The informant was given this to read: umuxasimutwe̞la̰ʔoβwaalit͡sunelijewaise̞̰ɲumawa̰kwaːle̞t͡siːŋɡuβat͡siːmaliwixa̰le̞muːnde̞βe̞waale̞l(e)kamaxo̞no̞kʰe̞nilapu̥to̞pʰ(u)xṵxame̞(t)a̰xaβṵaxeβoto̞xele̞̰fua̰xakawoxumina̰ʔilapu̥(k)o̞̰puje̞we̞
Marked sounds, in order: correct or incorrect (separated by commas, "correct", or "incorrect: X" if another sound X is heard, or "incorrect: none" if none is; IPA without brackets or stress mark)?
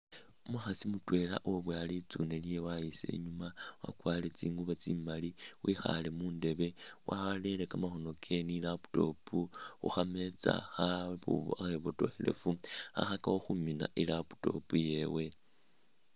correct, correct, incorrect: t͡s, incorrect: t